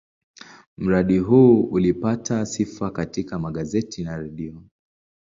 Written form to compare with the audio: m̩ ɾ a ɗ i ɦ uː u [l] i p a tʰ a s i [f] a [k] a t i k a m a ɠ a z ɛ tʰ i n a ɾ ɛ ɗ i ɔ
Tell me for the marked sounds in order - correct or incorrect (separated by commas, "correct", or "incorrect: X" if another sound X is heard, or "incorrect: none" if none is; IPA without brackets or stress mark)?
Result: correct, correct, correct